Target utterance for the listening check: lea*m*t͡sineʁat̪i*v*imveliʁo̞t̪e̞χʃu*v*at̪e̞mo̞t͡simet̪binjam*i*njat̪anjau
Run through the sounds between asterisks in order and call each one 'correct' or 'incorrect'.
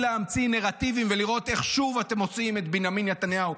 correct, correct, correct, correct

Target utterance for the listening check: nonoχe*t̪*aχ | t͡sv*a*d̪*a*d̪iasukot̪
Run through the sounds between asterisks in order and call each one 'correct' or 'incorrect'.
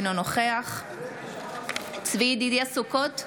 incorrect, incorrect, incorrect

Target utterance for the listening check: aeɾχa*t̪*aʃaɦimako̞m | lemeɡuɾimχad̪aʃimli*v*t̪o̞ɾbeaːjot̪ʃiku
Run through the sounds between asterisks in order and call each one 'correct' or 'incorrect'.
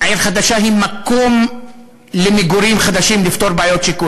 incorrect, incorrect

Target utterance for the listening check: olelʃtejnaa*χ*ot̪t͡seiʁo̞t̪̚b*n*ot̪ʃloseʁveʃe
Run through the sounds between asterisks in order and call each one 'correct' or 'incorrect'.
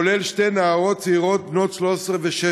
incorrect, correct

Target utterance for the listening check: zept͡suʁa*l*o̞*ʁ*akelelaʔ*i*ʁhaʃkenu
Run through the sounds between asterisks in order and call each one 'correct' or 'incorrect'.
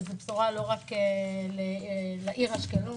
correct, correct, correct

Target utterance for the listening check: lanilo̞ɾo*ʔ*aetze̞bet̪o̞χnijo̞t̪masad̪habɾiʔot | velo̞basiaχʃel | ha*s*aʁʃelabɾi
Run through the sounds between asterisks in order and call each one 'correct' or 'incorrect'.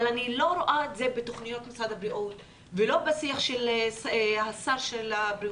correct, correct

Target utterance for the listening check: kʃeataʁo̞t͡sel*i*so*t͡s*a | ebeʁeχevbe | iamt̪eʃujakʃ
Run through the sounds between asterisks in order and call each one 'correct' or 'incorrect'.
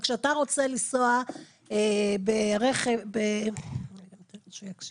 correct, incorrect

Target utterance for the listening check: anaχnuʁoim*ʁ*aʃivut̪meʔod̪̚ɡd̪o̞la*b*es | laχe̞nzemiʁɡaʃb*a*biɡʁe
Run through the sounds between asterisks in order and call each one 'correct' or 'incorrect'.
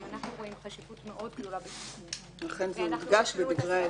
incorrect, correct, incorrect

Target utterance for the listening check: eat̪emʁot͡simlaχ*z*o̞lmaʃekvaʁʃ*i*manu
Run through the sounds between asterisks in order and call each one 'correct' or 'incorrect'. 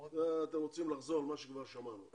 correct, incorrect

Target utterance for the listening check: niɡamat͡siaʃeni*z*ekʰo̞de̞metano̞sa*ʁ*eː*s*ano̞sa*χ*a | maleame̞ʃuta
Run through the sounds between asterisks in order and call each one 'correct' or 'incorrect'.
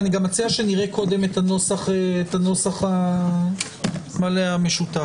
incorrect, incorrect, incorrect, correct

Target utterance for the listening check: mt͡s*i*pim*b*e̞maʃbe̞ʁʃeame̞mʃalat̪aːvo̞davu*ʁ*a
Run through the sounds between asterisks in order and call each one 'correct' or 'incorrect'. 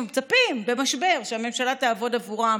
incorrect, correct, correct

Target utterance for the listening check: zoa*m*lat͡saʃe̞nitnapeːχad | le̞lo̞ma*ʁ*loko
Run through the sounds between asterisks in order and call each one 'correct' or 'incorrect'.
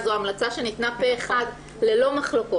correct, incorrect

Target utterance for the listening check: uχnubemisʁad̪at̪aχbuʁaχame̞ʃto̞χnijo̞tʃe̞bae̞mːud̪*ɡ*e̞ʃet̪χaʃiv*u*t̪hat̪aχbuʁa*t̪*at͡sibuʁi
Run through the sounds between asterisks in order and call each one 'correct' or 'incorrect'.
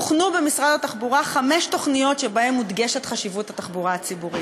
correct, correct, incorrect

